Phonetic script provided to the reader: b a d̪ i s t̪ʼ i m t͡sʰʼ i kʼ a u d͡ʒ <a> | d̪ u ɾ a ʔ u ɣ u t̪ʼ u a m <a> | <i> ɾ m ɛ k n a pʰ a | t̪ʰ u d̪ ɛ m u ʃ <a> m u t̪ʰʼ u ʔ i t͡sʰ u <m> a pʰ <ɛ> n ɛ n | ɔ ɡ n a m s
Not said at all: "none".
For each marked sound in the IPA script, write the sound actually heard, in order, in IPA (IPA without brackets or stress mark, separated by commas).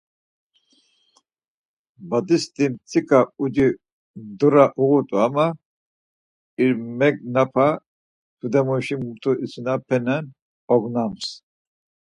i, a, i, i, n, ɛ